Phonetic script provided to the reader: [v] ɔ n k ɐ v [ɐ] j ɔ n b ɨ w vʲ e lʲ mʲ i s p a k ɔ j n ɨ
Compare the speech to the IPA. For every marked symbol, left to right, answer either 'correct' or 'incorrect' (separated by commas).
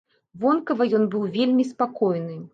correct, correct